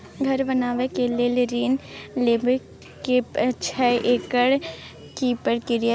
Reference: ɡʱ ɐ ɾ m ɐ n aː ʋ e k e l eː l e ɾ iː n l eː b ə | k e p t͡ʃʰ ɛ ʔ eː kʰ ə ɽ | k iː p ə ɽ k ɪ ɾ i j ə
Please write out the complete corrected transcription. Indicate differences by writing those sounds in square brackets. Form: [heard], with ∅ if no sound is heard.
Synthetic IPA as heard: ɡʱ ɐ ɾ [b] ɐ n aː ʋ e k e l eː l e ɾ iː n l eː b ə | k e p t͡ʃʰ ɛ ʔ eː [k] ə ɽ | k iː p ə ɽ k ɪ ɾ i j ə